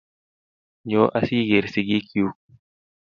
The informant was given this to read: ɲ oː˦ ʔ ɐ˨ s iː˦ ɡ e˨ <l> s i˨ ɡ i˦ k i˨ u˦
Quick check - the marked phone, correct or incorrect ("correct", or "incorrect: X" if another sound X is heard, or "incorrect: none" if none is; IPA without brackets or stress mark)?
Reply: incorrect: ɾ